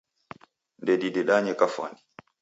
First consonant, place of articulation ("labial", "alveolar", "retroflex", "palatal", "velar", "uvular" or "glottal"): alveolar